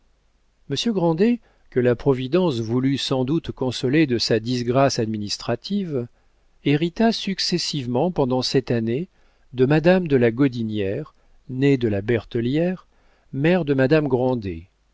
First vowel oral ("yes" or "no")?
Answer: yes